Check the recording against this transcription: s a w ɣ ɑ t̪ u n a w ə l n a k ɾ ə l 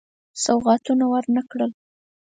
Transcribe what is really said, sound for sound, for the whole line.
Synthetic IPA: s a w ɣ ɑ t̪ u n a w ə ɾ n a k ɽ ə l